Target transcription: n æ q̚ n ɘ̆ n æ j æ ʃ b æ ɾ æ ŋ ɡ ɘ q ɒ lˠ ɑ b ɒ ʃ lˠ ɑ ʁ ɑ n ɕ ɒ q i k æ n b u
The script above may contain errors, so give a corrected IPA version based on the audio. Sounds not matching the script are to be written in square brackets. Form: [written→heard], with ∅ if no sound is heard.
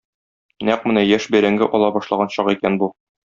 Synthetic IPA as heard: n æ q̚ [n→m] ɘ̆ n æ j æ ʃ b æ ɾ æ ŋ ɡ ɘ [q→ʔ] ɒ lˠ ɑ b ɒ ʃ lˠ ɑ ʁ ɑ n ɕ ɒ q i k æ n b u